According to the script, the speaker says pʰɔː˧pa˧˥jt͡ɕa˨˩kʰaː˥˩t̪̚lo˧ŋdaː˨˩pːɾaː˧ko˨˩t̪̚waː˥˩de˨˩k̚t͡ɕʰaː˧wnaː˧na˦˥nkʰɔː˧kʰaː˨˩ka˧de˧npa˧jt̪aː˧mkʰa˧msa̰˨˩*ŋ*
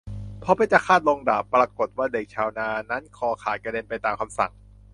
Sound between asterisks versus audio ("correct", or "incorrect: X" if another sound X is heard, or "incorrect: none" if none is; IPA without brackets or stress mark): correct